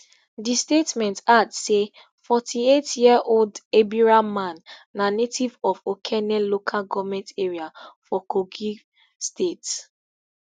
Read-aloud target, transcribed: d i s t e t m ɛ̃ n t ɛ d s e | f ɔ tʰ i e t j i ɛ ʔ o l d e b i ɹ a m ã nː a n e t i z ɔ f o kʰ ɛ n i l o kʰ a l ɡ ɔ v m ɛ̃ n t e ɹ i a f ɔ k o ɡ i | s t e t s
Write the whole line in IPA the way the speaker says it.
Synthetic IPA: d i s t e t m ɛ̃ n t a d s e | f ɔ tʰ i e t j i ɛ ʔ o l d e b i ɹ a m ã nː a n e t i v ɔ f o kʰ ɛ n ɛ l o kʰ a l ɡ ɔ v m ɛ̃ n t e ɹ i a f ɔ k o ɡ i | s t e t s